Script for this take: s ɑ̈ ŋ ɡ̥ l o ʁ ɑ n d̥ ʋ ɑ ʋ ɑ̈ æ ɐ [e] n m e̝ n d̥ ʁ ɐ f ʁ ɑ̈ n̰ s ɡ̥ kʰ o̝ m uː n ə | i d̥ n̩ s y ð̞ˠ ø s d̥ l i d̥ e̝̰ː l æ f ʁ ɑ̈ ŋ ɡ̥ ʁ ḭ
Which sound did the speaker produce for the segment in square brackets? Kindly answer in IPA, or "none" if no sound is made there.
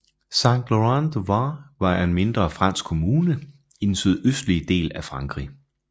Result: e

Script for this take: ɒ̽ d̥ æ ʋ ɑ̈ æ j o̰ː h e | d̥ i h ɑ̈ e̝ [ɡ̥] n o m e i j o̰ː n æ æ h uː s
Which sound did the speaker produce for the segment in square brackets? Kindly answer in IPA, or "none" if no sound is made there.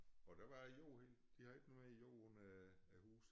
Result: ɡ̥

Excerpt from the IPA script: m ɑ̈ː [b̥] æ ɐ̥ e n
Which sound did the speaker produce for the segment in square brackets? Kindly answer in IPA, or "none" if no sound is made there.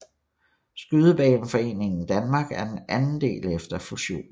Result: ɡ̥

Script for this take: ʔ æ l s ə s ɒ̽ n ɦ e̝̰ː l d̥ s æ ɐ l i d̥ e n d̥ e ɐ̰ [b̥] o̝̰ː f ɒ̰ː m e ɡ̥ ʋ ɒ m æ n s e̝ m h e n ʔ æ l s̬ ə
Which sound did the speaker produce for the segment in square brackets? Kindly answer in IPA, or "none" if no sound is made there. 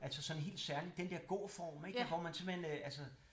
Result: ɡ̥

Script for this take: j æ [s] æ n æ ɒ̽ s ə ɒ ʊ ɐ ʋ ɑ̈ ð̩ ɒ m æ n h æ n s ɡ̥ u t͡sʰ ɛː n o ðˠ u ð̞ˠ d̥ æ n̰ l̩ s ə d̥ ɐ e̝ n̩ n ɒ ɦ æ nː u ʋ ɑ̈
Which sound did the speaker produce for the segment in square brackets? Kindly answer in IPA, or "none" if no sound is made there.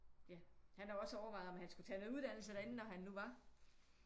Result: h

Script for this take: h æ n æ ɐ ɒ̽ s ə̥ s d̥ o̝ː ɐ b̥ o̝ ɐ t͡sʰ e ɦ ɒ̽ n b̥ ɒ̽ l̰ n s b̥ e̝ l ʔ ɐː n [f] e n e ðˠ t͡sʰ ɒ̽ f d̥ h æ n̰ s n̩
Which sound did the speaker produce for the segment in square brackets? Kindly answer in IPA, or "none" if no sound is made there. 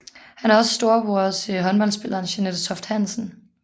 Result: ɕ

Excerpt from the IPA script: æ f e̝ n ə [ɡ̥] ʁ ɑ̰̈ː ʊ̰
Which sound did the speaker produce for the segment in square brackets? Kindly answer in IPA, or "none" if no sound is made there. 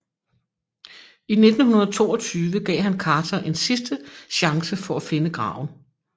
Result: ɡ̥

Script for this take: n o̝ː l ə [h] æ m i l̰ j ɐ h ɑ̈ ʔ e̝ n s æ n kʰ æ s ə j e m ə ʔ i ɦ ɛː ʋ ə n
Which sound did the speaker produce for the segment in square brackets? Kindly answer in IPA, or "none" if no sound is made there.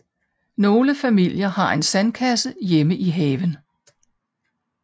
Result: f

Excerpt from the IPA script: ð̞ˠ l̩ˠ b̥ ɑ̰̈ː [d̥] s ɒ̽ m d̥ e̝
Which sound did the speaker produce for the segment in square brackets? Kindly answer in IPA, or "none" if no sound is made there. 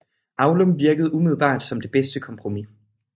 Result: d̥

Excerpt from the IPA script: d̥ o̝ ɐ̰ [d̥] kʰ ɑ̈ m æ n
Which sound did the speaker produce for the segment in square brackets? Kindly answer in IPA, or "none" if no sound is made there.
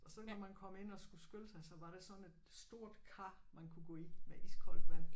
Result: d̥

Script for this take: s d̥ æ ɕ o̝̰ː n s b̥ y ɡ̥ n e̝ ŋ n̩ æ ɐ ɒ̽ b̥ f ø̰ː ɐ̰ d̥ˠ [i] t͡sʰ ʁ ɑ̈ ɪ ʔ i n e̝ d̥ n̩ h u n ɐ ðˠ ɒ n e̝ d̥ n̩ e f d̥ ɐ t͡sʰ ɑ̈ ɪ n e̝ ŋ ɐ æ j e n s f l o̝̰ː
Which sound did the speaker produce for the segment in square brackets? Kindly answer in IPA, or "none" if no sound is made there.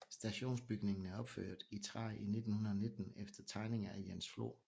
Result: i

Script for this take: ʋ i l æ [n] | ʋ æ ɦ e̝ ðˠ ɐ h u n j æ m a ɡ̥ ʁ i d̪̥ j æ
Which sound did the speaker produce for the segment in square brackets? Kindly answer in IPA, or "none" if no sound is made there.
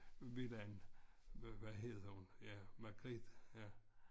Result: n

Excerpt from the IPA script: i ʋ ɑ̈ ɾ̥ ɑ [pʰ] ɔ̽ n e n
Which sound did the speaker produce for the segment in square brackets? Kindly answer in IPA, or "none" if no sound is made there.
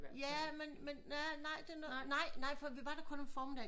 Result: kʰ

